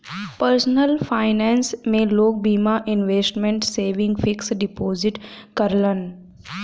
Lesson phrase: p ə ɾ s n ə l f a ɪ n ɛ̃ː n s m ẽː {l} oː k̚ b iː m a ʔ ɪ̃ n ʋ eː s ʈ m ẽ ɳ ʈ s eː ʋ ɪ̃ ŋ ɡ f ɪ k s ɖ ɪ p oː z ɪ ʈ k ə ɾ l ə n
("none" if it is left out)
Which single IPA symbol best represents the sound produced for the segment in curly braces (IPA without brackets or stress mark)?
l